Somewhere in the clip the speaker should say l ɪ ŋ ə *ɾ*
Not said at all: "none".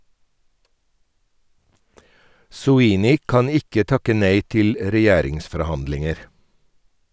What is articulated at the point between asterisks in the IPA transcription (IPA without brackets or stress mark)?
ɾ